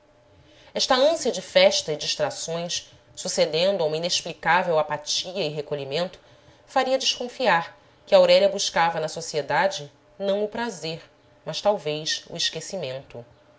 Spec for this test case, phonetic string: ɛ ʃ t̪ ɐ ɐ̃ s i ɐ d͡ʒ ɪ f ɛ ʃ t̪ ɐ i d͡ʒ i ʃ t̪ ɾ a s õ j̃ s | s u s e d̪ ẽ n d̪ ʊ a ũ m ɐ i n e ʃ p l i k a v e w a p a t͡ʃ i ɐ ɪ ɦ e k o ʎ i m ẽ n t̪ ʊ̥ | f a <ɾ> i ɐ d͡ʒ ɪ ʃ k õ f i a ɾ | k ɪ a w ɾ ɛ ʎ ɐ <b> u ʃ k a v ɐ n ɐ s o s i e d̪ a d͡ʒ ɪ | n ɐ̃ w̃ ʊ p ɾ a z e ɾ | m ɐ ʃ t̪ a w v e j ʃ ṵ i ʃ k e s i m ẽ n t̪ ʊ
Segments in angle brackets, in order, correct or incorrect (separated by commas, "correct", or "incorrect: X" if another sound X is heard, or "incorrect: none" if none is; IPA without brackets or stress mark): correct, correct